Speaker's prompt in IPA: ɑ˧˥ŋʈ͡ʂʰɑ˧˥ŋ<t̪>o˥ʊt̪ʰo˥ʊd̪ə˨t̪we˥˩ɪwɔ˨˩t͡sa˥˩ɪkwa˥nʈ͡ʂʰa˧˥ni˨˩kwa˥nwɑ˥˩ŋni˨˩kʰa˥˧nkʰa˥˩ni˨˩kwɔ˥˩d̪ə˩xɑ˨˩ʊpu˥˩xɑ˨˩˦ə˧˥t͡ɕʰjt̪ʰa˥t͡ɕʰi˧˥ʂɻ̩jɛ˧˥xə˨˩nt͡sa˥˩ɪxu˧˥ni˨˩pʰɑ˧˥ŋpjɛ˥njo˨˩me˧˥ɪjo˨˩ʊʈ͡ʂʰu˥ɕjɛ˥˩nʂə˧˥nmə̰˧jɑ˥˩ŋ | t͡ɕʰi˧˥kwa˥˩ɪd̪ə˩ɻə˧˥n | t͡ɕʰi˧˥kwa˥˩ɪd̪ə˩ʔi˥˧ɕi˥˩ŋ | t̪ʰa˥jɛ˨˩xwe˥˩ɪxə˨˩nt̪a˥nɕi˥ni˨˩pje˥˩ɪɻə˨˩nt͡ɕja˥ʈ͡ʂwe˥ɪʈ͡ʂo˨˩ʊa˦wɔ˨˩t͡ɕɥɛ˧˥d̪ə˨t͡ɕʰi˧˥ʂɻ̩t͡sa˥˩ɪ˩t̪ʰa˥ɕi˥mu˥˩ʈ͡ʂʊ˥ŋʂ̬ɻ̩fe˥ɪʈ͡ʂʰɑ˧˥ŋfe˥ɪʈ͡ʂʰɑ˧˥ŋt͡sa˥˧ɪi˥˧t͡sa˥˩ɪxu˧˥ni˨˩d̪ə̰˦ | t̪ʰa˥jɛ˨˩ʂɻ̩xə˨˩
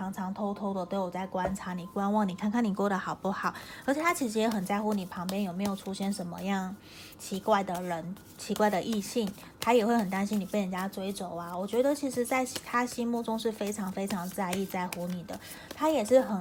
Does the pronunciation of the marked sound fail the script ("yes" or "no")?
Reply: yes